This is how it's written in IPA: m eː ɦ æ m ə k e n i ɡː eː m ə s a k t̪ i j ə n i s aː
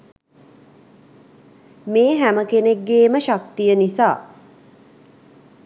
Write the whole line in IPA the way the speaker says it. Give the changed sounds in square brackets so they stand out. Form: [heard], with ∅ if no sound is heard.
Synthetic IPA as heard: m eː ɦ æ m ə k e n [e] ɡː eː m ə [ʃ] a k t̪ i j ə n i s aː